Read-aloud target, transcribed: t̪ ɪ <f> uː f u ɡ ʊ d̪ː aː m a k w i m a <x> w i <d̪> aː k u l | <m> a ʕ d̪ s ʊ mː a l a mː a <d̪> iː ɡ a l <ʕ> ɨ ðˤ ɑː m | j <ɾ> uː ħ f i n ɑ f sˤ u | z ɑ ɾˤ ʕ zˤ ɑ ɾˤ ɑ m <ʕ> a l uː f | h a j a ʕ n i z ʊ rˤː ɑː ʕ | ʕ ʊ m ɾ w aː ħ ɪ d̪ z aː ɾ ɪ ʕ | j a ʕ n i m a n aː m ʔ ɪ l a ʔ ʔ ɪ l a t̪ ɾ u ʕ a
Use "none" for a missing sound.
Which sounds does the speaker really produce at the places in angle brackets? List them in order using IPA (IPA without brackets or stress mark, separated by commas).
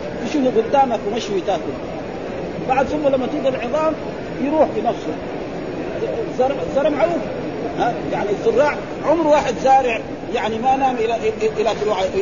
ʃ, ʃ, t̪, b, t̪, ʕ, ɾ, ʕ